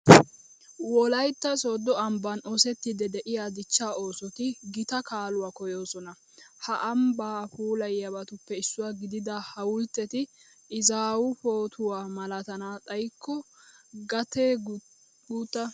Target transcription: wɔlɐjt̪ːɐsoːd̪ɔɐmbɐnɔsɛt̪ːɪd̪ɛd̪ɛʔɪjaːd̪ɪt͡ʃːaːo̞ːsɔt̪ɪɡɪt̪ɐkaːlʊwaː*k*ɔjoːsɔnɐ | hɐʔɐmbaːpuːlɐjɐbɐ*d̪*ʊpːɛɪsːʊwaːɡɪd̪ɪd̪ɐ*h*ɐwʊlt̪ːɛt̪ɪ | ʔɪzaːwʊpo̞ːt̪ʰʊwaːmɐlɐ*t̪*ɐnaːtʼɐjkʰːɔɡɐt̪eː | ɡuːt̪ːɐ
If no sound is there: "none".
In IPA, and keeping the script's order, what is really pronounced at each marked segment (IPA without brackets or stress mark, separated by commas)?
k, t̪, h, t̪